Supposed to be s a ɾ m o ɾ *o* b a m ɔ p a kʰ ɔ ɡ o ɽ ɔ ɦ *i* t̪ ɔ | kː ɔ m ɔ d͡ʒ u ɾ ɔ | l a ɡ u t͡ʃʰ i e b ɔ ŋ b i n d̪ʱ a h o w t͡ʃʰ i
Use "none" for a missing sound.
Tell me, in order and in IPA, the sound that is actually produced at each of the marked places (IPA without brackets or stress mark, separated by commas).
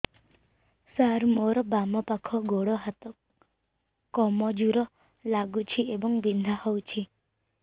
ɔ, a